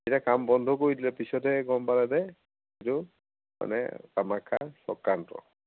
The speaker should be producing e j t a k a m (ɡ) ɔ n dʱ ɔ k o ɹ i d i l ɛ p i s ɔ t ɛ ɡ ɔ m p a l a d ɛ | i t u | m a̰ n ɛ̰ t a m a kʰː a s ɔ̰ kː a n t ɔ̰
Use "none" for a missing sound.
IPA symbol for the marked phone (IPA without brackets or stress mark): b